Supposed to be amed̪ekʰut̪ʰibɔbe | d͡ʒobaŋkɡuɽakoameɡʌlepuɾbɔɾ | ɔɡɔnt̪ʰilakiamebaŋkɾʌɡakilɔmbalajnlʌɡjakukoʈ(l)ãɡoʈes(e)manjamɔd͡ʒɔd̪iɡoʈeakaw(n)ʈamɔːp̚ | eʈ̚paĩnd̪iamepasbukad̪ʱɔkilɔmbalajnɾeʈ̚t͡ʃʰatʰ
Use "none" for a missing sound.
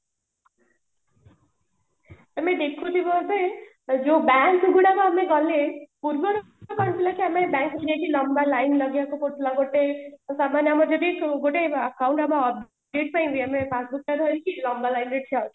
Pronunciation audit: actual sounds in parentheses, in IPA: l, a, ɳ

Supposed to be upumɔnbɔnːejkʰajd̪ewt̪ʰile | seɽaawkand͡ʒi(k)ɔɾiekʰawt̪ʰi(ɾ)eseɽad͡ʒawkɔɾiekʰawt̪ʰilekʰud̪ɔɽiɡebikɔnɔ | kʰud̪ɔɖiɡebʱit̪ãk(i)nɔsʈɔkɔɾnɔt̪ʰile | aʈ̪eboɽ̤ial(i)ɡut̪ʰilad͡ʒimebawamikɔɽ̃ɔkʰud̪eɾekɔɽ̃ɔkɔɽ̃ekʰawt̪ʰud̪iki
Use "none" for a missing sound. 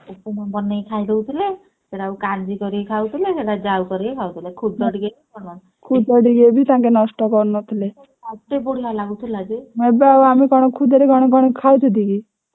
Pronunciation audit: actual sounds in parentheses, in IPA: k, l, e, a

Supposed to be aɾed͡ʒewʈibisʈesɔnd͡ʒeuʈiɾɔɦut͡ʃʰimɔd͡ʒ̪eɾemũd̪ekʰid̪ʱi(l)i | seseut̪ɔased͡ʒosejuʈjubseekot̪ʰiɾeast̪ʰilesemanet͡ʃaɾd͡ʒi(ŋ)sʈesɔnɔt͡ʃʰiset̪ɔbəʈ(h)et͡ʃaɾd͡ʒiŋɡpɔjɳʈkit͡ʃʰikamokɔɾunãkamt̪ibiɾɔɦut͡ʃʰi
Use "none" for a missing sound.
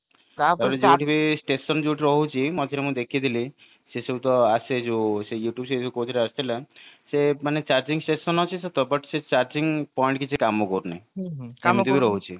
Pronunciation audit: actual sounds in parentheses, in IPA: l, ŋ, s

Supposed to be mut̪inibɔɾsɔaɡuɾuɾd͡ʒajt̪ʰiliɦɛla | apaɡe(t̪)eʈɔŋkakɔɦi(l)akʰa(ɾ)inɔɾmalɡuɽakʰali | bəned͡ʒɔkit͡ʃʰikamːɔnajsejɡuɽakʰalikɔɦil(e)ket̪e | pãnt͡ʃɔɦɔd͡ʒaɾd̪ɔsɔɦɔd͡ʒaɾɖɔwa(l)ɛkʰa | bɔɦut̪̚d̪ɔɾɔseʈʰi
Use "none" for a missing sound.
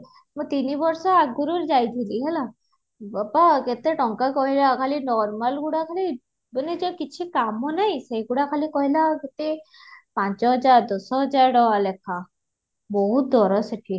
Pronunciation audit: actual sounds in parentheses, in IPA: t̪, l, l, a, l

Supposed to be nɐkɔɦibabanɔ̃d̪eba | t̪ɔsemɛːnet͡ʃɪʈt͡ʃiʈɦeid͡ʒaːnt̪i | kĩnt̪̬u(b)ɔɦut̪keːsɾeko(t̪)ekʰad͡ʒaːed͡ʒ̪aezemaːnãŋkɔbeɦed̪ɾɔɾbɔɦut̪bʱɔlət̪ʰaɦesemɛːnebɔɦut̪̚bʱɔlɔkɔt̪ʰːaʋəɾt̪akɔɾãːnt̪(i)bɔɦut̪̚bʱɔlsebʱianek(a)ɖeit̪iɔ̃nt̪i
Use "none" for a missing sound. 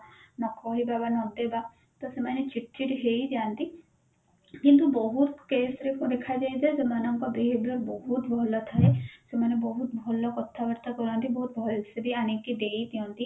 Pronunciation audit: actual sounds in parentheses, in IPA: b, d̪, i, i

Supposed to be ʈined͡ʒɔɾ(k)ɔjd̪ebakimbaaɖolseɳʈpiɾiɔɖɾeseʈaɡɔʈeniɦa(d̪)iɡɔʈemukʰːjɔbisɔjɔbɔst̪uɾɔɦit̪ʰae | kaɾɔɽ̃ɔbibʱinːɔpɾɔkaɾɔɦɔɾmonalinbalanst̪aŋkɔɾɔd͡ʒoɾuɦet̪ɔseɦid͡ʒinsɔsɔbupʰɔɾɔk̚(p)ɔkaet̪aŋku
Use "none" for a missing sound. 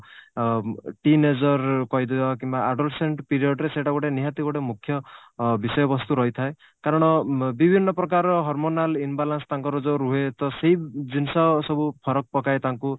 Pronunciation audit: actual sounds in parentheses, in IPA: k, t̪, p

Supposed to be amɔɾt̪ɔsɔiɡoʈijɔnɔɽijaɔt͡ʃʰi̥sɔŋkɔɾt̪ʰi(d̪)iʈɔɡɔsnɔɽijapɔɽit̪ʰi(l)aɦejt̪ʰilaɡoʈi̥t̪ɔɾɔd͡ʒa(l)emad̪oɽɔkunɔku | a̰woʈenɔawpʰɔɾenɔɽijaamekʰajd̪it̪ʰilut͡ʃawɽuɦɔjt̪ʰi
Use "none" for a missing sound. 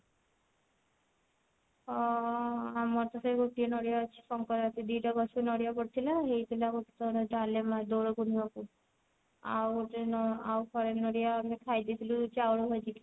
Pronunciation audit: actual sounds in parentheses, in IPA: d̪, l, l

